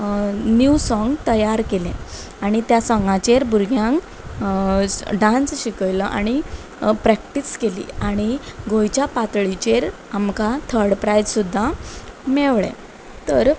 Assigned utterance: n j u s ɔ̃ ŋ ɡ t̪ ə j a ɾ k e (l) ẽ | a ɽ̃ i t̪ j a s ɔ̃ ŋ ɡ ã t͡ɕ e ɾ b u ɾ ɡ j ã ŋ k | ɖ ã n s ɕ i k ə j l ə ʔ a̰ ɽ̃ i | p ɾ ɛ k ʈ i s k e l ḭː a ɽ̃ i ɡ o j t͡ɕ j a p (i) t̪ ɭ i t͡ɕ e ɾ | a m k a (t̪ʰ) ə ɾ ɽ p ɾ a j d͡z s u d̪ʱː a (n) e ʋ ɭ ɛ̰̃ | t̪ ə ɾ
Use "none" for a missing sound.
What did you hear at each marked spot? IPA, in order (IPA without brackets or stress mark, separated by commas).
l, a, t̪ʰ, m